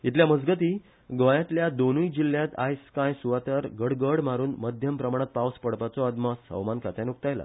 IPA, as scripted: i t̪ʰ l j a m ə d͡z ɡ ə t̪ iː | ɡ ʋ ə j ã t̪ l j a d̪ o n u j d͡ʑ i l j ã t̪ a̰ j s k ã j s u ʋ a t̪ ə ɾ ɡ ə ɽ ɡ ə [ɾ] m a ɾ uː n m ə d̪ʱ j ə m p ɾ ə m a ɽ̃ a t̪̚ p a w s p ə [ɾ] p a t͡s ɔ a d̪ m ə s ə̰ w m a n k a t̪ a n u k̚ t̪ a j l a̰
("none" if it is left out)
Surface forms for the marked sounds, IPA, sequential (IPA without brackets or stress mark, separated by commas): ɽ, ɽ